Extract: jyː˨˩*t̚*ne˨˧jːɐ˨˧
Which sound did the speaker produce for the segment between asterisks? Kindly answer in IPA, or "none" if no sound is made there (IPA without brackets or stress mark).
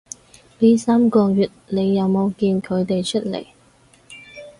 t̚